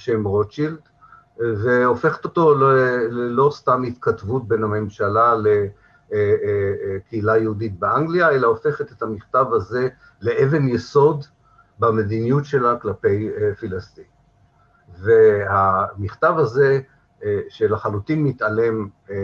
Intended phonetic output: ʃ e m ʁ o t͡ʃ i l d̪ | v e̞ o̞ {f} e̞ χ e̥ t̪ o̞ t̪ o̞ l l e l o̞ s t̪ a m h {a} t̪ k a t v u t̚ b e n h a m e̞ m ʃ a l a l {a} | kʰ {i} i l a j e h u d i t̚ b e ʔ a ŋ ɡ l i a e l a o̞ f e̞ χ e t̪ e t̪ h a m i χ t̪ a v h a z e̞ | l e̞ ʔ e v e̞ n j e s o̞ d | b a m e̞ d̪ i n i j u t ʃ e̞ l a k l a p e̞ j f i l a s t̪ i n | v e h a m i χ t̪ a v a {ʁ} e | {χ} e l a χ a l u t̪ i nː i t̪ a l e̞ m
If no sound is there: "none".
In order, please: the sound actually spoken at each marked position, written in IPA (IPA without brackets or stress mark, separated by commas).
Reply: f, i, e, e, z, ʃ